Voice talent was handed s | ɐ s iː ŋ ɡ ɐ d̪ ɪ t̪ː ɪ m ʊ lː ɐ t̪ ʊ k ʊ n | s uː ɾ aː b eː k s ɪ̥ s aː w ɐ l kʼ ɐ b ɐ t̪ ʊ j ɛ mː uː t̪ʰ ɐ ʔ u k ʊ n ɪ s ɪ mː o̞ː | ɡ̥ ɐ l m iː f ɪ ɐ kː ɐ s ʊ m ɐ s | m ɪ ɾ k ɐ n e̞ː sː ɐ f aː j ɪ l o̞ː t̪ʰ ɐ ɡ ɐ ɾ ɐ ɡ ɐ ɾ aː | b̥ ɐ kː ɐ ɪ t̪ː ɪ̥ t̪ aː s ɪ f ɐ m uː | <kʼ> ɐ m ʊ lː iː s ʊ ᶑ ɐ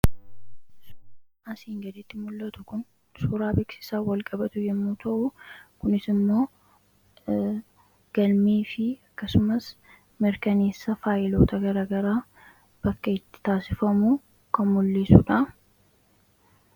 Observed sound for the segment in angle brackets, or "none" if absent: k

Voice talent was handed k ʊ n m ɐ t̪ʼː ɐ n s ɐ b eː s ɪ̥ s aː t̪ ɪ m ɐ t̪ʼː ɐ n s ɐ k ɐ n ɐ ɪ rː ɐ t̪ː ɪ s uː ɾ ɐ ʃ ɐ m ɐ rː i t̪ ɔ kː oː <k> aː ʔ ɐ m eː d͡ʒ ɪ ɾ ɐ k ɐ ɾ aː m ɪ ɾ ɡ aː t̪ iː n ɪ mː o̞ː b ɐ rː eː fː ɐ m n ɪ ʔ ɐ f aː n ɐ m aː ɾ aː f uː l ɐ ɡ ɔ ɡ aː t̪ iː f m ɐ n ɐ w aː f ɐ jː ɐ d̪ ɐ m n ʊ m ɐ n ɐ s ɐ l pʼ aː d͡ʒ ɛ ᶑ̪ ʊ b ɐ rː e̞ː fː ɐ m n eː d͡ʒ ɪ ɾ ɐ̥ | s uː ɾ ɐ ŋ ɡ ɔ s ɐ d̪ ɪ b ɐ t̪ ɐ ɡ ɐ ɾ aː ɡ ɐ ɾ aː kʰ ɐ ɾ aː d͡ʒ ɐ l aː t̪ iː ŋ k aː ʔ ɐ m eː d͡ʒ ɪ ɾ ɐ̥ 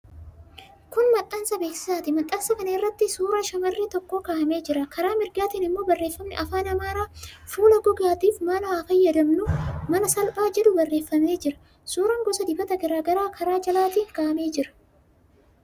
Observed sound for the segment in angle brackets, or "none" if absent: k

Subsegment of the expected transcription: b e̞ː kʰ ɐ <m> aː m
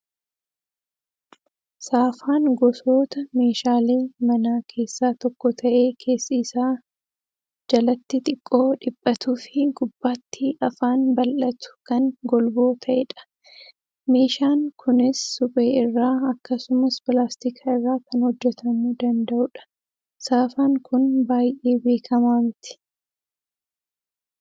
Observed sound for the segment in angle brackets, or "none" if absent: m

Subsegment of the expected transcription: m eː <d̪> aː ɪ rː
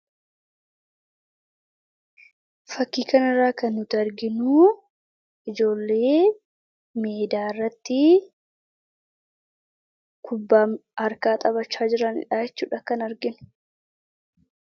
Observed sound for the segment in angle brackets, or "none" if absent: d̪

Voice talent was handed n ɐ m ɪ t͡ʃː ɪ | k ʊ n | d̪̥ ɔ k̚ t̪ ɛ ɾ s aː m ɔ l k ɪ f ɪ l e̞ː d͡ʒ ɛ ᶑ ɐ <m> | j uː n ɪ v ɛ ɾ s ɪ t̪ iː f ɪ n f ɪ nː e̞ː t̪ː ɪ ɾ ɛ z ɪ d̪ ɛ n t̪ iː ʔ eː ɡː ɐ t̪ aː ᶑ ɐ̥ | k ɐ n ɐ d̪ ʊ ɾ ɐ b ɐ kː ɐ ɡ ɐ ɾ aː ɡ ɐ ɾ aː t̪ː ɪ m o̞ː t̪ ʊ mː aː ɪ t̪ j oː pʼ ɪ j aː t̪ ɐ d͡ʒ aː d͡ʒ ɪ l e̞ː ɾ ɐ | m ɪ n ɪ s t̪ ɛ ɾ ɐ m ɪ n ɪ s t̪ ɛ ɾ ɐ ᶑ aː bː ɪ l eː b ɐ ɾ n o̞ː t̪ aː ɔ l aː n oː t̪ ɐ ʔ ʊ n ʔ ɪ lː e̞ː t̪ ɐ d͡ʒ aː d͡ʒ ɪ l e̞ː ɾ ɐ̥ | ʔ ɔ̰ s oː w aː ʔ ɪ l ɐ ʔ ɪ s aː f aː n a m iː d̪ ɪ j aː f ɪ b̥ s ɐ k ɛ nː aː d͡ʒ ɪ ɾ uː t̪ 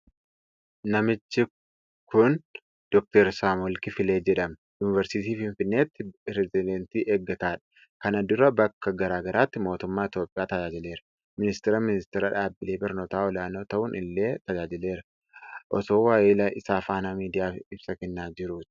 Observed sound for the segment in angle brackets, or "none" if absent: m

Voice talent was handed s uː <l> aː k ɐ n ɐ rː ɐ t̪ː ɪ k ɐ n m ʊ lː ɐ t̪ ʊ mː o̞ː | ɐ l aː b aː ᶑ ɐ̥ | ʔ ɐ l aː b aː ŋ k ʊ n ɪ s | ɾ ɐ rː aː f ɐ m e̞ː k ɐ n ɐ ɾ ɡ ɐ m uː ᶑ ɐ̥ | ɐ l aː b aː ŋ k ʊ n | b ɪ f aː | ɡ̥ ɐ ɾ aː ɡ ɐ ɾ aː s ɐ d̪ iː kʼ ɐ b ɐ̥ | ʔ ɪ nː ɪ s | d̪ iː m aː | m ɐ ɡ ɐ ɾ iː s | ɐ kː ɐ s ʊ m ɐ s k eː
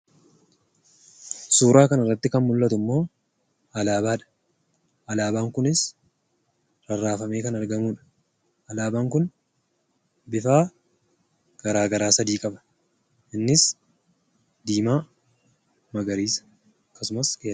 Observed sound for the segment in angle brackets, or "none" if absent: ɾ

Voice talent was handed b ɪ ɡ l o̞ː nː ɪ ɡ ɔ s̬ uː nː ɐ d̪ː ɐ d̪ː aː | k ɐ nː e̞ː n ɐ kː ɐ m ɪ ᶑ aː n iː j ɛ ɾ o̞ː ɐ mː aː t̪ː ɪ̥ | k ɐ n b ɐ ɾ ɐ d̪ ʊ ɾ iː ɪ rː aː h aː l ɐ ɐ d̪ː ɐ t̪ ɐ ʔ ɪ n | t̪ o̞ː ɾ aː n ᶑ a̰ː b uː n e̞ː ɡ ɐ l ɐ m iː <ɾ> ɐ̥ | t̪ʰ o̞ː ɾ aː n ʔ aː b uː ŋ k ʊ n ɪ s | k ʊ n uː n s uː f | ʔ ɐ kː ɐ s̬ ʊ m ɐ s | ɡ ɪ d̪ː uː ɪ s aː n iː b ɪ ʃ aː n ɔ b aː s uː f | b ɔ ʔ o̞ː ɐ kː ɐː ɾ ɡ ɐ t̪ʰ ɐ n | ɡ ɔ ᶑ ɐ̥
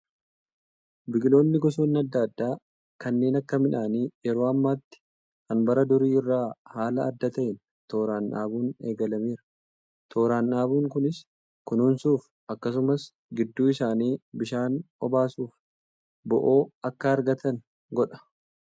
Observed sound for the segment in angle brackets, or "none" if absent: ɾ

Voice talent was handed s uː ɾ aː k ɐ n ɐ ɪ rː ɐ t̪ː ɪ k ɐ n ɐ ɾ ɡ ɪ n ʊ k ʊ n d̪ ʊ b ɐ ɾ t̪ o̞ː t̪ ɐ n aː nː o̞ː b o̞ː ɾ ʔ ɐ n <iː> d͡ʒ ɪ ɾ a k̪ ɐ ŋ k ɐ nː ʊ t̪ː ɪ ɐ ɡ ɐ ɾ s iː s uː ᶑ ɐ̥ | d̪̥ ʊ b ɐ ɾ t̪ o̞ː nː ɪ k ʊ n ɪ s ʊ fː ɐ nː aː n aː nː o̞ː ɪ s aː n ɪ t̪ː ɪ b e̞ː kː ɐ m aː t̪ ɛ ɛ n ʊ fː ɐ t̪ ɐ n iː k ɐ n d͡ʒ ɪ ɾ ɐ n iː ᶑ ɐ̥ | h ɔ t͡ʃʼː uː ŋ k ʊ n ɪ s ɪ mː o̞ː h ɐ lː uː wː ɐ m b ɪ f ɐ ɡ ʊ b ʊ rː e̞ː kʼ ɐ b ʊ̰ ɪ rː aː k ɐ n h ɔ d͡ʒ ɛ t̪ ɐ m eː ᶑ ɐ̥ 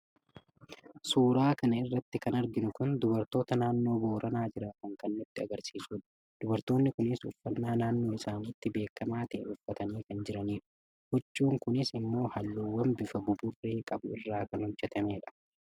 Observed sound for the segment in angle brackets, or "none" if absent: aː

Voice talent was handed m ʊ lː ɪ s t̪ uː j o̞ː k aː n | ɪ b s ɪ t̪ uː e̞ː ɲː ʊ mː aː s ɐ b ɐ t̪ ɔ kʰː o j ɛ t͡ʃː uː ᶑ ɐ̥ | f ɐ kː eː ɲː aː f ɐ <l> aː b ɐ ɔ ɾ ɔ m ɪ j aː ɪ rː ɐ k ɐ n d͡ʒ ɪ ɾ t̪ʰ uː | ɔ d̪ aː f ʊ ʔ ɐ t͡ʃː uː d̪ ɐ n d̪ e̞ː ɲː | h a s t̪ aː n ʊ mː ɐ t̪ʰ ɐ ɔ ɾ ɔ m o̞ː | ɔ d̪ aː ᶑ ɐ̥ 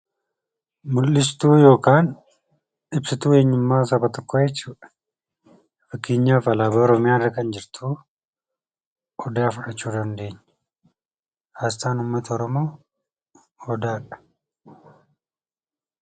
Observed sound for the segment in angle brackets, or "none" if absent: l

